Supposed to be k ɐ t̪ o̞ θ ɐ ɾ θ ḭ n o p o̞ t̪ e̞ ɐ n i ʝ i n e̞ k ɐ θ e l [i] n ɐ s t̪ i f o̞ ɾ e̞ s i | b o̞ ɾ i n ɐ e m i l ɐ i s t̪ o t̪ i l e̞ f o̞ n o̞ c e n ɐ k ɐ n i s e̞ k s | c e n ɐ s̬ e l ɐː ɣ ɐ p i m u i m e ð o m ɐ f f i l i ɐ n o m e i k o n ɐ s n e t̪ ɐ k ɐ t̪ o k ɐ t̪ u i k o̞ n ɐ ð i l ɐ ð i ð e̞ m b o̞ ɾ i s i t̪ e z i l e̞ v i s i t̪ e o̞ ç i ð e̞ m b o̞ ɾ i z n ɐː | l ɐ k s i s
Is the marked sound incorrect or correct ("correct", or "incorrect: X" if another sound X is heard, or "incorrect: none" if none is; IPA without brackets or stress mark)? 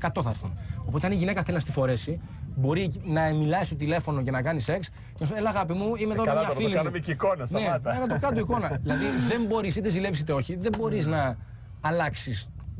correct